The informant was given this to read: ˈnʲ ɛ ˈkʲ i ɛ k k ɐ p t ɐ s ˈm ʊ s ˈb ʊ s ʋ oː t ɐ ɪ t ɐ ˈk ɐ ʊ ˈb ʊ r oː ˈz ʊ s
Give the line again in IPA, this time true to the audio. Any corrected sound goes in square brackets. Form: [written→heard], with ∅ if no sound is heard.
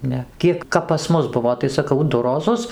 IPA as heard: ˈnʲ ɛ ˈkʲ i ɛ k k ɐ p [t→p] ɐ s ˈm ʊ s ˈb ʊ [s→∅] ʋ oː t ɐ ɪ [t→s] ɐ ˈk ɐ ʊ [ˈb→ˈd] ʊ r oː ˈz ʊ s

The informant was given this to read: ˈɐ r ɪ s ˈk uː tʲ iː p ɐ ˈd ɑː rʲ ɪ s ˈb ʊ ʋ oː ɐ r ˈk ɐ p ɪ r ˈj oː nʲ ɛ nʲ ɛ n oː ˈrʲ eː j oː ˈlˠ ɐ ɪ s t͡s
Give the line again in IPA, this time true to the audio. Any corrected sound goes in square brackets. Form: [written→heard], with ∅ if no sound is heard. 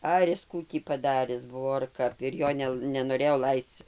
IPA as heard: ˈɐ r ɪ s ˈk uː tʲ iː p ɐ ˈd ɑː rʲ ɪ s ˈb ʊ ʋ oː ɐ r ˈk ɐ p ɪ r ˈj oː nʲ ɛ nʲ ɛ n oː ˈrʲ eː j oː ˈlˠ ɐ ɪ s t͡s

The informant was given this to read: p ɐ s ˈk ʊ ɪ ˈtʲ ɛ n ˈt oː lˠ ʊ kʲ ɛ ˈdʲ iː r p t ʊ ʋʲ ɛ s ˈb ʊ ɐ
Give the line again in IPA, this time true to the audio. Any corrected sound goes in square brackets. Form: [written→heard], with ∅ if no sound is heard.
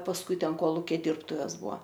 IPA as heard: p ɐ s ˈk ʊ ɪ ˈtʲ ɛ n [ˈt→ˈk] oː lˠ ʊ kʲ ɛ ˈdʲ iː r p t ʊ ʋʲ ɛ s ˈb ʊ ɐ

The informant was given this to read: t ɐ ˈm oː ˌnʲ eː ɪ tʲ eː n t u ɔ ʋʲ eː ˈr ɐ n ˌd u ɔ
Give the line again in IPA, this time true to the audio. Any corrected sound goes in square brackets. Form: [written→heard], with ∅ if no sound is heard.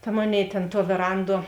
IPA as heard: t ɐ ˈm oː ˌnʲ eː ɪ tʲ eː n t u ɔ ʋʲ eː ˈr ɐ n ˌd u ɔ

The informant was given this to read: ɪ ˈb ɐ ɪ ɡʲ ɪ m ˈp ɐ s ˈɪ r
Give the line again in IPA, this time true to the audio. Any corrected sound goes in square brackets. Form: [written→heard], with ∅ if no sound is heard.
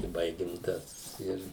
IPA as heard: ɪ ˈb ɐ ɪ ɡʲ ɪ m [ˈp→ˈt] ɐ s ˈɪ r

